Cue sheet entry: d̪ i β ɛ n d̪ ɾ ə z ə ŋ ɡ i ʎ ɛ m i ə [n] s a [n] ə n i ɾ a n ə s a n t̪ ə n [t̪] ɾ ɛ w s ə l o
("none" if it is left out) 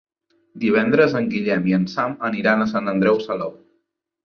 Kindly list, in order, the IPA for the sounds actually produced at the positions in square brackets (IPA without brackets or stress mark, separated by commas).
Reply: n, m, d̪